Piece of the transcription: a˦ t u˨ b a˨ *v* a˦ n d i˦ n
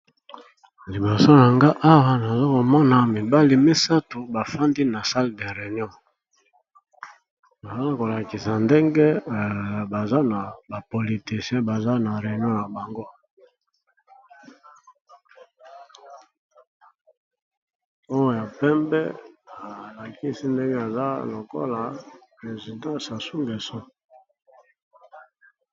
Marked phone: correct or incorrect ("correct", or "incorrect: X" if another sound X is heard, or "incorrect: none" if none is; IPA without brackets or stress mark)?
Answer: incorrect: f